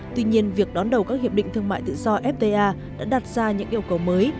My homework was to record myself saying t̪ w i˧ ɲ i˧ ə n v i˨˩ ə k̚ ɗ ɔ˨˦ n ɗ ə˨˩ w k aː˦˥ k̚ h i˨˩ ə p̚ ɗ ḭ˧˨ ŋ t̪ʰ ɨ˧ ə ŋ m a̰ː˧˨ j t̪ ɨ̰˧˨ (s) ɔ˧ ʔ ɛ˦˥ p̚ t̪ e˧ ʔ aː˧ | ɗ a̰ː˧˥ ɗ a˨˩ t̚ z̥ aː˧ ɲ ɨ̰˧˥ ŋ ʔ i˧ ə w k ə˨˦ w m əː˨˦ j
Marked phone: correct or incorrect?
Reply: incorrect: z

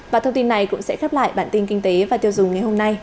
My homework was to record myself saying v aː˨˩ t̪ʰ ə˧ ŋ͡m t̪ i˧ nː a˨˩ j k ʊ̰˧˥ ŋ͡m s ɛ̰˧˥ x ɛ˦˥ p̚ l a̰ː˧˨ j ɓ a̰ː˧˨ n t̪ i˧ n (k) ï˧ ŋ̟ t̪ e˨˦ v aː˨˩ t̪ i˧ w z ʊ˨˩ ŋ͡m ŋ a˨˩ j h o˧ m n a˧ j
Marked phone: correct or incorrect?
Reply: correct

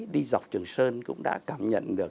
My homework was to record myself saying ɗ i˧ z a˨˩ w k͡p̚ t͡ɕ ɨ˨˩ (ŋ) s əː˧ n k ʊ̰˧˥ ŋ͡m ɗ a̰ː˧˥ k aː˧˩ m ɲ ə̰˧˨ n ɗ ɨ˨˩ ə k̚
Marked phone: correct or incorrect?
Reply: correct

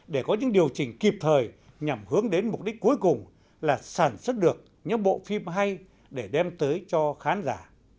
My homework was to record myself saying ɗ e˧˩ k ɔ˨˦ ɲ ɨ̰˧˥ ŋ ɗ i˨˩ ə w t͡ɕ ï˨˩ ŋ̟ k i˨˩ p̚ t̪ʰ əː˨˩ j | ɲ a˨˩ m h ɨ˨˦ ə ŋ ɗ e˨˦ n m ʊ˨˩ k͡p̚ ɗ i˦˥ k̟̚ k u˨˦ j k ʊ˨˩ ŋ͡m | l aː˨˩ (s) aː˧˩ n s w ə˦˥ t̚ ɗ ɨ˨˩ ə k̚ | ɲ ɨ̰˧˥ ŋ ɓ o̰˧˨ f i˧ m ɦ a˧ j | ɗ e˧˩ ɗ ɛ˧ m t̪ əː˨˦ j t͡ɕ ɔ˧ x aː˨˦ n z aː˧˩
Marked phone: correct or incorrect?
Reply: correct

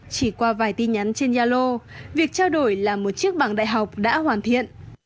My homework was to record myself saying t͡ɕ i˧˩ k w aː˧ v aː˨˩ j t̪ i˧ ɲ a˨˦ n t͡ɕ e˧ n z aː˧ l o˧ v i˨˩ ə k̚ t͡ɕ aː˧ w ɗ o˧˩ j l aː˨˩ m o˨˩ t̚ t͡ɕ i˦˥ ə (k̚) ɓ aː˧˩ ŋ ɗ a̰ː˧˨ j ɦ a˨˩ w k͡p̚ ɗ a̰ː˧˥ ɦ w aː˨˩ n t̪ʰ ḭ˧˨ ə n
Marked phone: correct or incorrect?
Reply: correct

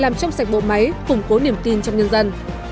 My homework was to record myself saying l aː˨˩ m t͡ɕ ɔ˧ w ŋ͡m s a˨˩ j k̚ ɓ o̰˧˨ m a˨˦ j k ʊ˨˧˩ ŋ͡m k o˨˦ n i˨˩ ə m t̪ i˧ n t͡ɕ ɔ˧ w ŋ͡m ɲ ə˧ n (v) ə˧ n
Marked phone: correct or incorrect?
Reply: incorrect: z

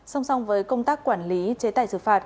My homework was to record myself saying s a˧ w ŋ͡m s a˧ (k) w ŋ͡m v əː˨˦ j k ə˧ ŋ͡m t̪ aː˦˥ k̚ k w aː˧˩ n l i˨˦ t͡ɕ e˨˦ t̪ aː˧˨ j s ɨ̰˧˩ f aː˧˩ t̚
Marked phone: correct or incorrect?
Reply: incorrect: none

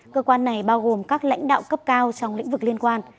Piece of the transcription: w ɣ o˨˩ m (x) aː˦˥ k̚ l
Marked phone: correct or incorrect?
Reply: incorrect: k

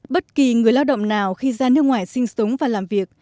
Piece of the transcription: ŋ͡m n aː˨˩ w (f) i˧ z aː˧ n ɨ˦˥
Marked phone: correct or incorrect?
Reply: incorrect: x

